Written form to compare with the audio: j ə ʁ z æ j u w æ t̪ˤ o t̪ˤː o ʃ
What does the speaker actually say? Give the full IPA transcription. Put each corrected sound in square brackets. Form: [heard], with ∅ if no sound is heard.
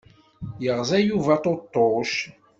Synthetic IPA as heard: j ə ʁ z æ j u [v] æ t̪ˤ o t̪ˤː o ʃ